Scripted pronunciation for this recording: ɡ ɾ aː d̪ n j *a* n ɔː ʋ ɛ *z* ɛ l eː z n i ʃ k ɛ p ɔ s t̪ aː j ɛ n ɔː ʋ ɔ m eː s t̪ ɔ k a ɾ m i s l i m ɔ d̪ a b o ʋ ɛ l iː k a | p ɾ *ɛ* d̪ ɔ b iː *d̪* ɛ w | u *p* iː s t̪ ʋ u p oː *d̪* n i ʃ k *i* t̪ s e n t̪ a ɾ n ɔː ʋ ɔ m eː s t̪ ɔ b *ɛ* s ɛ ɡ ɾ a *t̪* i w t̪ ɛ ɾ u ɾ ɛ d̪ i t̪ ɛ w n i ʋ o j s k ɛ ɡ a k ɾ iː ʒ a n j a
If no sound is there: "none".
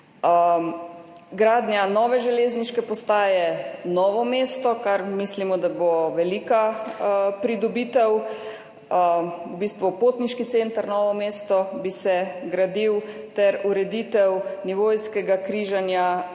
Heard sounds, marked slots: a, ʒ, i, t̪, b, t̪, i, i, d̪

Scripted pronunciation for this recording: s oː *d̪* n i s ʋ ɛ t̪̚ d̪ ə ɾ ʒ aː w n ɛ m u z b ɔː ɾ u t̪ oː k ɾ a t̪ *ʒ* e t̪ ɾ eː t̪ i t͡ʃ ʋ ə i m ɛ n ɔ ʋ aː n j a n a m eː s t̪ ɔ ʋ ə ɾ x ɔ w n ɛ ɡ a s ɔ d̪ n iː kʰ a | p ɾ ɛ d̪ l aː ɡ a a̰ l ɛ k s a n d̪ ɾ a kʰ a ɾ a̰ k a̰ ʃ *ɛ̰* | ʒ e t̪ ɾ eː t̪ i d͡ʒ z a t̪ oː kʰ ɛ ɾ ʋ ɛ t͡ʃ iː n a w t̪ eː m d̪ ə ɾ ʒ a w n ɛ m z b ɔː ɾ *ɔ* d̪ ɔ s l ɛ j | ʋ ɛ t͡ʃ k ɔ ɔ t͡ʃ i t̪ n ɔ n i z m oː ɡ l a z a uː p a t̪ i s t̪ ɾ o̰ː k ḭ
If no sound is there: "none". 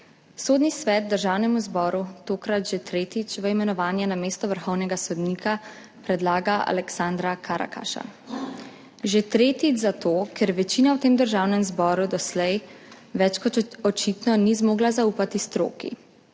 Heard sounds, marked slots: d̪, ʒ, a̰, u

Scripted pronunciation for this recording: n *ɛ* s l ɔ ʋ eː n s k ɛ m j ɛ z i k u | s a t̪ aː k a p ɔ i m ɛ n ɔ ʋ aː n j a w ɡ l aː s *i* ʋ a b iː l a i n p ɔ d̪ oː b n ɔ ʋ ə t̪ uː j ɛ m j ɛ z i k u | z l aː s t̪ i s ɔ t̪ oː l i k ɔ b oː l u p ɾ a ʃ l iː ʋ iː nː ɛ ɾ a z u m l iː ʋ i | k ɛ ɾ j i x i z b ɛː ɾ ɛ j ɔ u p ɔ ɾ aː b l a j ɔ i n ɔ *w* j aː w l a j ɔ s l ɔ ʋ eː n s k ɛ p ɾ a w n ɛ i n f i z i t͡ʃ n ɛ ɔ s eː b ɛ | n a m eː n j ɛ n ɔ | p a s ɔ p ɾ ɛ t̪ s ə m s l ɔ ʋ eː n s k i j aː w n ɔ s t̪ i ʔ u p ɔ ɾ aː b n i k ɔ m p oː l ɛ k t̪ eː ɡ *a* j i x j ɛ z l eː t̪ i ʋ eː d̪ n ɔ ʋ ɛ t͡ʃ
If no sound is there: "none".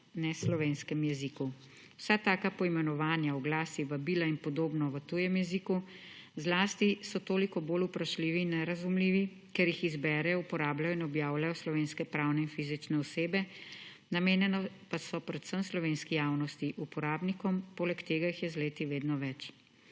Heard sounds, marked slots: ɛ, i, b, a

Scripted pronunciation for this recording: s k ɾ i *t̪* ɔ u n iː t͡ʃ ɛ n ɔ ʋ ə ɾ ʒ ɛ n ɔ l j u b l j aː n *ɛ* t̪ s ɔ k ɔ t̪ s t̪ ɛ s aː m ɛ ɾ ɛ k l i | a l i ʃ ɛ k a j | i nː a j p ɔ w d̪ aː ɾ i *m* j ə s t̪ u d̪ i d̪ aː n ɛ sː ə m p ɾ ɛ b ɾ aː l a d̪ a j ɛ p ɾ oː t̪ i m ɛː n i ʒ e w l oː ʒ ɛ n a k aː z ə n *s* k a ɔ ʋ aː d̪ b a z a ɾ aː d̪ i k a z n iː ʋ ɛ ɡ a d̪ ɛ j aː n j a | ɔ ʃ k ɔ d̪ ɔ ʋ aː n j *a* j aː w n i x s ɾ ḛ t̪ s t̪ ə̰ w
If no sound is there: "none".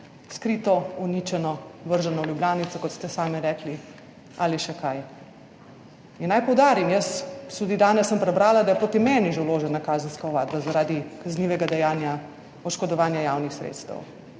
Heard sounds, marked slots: t̪, i, m, s, a

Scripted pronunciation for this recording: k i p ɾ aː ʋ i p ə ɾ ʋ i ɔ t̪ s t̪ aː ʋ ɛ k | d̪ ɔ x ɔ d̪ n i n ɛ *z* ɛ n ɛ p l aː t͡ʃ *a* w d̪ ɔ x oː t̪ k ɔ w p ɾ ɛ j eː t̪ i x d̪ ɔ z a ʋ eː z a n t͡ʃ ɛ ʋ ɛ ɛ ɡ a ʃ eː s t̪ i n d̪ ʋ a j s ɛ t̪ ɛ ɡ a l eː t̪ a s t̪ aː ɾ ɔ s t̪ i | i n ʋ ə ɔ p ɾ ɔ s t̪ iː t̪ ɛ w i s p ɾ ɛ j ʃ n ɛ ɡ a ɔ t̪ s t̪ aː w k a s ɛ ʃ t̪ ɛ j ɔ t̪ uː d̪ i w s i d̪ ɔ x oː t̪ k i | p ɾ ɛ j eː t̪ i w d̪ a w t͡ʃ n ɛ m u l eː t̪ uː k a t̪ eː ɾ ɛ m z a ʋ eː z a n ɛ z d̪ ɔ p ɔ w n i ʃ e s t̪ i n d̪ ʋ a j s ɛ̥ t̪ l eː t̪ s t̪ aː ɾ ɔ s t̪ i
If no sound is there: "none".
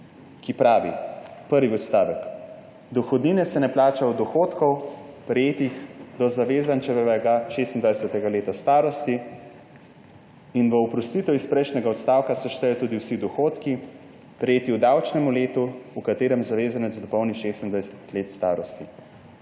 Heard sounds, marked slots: s, a

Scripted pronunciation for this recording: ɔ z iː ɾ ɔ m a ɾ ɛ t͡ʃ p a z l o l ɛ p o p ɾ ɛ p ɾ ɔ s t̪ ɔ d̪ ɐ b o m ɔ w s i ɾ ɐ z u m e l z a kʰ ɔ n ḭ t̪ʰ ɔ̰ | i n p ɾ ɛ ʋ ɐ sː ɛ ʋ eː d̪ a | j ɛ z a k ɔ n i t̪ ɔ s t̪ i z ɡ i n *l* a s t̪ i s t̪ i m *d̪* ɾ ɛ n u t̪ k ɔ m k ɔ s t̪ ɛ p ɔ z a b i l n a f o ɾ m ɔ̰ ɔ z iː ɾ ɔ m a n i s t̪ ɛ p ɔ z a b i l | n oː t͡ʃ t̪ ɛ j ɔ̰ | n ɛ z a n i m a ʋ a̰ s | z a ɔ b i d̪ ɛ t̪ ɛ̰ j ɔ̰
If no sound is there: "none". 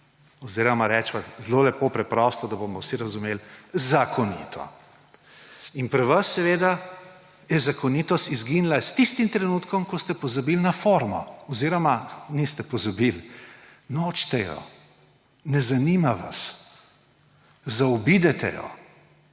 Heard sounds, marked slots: l, t̪

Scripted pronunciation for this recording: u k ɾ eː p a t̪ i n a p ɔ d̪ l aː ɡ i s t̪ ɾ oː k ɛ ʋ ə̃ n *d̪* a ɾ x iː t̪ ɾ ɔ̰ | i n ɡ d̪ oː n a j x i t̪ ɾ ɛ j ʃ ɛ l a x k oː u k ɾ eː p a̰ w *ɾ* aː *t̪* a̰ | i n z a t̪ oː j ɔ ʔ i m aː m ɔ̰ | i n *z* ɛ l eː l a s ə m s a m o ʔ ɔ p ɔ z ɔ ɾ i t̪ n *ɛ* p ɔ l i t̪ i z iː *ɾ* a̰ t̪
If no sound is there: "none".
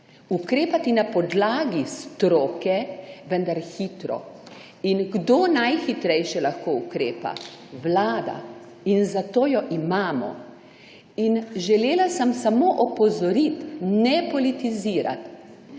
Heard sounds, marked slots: d̪, l, d̪, ʒ, ɛ, ɾ

